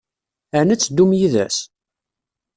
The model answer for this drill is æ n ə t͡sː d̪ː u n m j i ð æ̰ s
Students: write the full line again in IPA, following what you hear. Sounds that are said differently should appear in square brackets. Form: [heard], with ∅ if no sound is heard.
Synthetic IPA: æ n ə t͡sː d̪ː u [∅] m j i ð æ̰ s